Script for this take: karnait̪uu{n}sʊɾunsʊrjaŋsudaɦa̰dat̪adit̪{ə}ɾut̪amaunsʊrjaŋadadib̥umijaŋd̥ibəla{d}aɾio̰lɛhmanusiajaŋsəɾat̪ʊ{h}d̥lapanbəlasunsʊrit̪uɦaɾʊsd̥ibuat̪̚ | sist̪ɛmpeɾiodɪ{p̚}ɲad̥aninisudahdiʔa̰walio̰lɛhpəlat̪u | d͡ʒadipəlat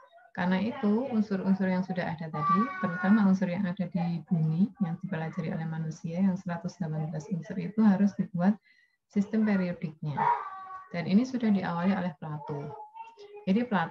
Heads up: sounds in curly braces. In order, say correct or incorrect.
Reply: correct, correct, incorrect: d͡ʒ, incorrect: s, incorrect: k̚

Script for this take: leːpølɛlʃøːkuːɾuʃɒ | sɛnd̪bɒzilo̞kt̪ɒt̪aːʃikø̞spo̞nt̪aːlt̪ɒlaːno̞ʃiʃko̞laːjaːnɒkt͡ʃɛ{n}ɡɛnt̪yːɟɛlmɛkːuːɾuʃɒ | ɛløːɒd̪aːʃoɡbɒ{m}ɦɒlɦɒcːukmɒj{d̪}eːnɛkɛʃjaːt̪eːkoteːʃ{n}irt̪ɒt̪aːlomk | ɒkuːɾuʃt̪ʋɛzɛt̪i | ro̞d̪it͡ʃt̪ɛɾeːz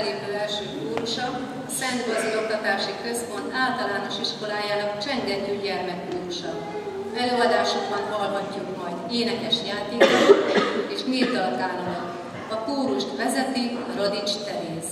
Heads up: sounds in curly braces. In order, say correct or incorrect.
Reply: incorrect: ŋ, incorrect: n, correct, incorrect: m

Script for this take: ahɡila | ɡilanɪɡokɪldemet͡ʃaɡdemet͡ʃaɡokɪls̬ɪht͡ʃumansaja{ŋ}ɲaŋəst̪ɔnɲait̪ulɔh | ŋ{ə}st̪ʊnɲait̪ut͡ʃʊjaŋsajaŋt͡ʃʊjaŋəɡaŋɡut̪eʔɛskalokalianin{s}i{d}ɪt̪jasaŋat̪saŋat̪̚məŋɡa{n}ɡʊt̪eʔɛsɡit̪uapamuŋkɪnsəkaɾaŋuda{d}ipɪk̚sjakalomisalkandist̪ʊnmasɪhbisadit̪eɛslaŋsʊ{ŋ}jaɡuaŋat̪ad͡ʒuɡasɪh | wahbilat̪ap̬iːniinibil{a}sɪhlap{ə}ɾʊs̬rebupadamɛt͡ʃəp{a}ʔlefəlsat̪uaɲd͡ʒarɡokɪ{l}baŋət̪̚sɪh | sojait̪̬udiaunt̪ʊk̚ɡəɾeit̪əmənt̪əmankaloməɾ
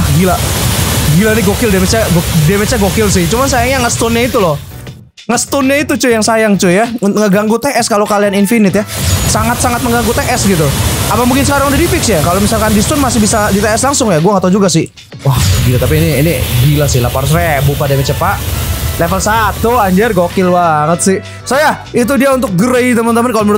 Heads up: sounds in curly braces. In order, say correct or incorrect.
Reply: correct, correct, incorrect: f, incorrect: n, incorrect: ŋ, correct, correct, correct, incorrect: a, correct, correct

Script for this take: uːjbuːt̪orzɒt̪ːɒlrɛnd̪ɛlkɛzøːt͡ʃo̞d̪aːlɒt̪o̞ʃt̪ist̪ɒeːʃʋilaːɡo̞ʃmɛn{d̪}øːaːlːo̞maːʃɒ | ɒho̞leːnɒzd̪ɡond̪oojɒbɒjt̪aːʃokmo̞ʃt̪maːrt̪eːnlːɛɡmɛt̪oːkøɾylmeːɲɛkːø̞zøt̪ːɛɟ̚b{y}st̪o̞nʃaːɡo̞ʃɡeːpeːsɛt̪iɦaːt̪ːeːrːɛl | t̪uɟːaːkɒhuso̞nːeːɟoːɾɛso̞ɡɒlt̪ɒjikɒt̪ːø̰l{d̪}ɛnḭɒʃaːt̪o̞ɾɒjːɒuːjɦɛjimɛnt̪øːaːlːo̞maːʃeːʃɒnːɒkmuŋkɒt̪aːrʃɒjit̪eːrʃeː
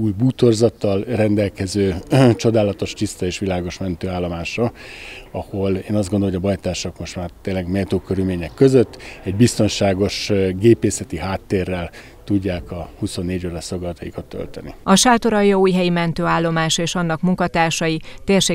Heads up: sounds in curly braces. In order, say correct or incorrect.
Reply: incorrect: t̪, incorrect: i, incorrect: t̪

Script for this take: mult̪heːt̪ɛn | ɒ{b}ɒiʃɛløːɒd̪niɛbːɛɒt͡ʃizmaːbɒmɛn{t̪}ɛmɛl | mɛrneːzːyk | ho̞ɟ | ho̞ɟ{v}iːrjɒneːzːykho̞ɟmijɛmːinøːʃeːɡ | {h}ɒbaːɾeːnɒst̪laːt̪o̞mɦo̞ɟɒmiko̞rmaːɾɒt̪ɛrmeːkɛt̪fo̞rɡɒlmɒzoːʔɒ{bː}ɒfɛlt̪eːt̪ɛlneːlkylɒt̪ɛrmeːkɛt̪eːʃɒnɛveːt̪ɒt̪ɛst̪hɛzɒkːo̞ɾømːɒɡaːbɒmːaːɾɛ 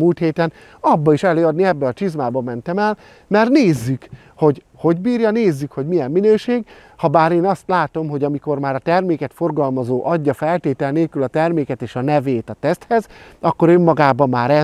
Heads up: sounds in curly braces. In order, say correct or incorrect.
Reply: incorrect: bː, correct, incorrect: b, correct, incorrect: ɟː

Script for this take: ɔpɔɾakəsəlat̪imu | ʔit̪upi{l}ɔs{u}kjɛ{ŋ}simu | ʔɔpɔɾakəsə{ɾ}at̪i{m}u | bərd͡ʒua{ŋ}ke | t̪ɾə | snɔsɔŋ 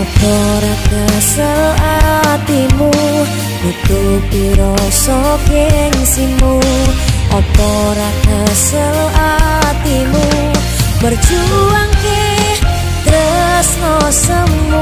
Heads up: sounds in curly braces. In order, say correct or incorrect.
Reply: incorrect: ɾ, incorrect: ɔ, correct, incorrect: l, correct, correct

